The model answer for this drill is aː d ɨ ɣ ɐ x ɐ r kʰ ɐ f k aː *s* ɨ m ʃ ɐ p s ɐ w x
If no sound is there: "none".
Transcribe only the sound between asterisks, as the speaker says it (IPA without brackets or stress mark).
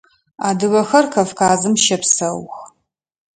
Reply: z